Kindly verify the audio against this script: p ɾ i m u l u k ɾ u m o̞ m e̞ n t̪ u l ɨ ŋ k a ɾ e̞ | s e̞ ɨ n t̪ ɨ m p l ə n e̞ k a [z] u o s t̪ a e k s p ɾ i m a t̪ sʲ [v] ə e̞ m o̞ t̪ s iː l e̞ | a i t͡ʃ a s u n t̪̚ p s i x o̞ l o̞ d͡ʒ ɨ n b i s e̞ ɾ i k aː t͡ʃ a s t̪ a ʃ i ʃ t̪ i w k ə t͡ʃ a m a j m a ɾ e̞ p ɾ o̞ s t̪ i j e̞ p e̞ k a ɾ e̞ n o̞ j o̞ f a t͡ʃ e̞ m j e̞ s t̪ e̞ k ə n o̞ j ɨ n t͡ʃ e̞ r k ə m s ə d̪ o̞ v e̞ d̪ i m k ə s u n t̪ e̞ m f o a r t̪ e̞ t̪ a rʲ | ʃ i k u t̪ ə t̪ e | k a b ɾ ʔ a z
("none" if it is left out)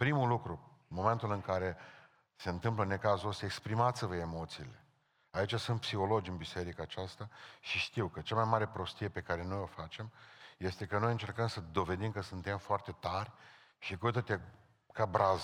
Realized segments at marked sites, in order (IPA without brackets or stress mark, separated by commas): z, v